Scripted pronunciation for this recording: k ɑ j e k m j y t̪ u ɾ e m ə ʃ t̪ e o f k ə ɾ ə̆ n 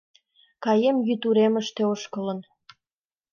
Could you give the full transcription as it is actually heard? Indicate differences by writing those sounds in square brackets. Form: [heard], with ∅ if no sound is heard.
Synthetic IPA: k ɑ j e [∅] m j y t̪ u ɾ e m ə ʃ t̪ e o [ʃ] k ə [l] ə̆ n